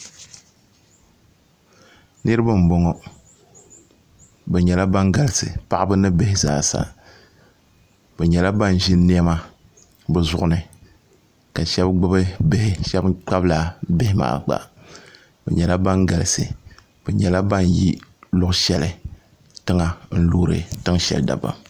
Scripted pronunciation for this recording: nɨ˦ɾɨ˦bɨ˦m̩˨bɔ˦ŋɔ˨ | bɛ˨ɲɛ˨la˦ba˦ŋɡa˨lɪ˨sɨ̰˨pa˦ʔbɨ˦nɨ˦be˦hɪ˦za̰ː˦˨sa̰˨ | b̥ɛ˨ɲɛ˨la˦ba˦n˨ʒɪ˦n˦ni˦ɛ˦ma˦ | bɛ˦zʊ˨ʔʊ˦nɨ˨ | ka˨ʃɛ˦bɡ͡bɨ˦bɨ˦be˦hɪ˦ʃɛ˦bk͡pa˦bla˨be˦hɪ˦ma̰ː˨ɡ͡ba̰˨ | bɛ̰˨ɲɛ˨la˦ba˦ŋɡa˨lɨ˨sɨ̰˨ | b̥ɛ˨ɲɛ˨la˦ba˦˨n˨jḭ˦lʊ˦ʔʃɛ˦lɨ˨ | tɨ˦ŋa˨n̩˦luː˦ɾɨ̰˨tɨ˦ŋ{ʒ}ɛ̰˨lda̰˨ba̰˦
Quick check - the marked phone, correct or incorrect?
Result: incorrect